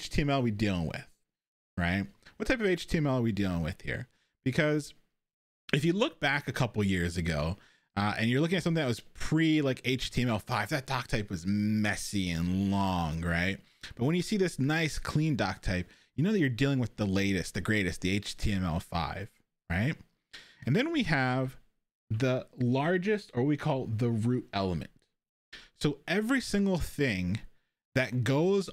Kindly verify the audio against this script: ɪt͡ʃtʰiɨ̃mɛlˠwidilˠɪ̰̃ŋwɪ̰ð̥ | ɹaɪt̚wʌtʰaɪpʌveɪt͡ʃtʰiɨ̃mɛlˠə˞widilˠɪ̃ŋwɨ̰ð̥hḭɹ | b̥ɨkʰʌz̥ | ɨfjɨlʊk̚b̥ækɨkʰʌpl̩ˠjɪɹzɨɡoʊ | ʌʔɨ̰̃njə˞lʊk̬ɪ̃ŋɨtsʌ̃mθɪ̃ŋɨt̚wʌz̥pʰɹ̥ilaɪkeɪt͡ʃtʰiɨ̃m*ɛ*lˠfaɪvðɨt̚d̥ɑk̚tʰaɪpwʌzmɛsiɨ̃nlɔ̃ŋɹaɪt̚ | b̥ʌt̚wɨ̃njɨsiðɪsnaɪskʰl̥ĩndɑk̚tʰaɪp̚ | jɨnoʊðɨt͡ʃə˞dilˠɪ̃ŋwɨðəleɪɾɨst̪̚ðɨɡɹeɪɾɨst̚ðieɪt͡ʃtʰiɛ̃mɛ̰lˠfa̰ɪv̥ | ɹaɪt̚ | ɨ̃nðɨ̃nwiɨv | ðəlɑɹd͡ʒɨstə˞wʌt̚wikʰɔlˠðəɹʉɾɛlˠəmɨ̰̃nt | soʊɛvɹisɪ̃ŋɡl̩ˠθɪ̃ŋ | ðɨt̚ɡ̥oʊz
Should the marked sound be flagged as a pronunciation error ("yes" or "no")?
no